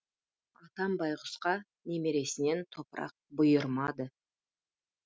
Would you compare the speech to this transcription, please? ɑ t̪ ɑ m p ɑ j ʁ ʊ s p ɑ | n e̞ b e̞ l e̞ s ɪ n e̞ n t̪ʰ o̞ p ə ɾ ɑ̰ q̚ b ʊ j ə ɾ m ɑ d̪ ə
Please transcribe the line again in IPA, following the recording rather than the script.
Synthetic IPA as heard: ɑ t̪ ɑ m b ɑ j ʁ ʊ s q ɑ | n e̞ m e̞ ɾ e̞ s ɪ n e̞ n t̪ʰ o̞ p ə ɾ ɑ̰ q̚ b ʊ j ə ɾ m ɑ d̪ ə